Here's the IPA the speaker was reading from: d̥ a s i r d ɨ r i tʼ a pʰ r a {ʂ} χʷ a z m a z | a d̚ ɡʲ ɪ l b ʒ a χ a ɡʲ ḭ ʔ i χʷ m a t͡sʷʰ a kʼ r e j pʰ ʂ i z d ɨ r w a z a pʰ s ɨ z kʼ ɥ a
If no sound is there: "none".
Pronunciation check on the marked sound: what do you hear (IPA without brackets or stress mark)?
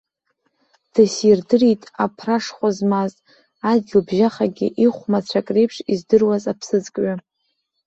ʂ